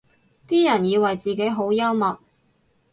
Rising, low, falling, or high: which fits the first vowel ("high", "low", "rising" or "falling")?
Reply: high